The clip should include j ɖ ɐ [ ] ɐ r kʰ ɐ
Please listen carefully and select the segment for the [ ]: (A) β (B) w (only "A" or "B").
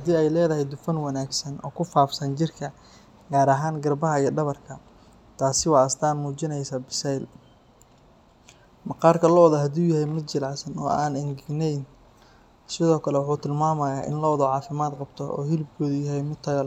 A